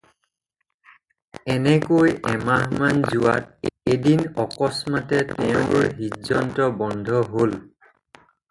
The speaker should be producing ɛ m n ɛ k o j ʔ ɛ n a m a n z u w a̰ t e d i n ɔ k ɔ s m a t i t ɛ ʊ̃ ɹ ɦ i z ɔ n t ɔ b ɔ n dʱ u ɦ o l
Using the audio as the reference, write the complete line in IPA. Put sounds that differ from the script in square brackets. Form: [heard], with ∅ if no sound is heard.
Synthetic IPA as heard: ɛ [∅] n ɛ k o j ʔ ɛ [m] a m a n z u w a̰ t e d i n ɔ k ɔ s m a t [ɛ] t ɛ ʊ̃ ɹ ɦ i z ɔ n t ɔ b ɔ n dʱ [ɔ] ɦ o l